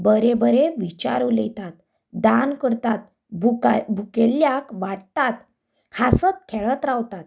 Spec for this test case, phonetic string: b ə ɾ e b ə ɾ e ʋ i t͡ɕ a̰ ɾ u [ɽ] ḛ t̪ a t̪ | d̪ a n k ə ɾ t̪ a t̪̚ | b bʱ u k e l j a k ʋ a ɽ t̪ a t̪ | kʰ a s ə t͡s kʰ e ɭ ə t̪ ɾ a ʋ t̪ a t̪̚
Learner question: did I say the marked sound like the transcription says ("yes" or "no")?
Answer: no